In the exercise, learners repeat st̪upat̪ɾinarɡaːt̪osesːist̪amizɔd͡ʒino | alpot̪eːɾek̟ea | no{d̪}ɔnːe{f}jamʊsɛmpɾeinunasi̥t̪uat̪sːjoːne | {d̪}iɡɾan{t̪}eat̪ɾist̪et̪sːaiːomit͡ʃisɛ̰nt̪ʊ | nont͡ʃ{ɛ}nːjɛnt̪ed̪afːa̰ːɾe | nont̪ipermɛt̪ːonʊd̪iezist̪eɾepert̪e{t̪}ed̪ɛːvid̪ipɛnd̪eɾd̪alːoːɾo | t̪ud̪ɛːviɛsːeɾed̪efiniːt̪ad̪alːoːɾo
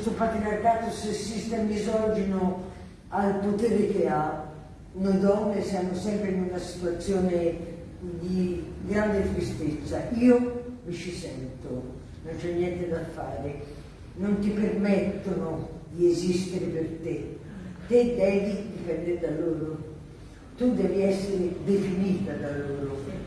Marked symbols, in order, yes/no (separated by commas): yes, no, yes, no, yes, yes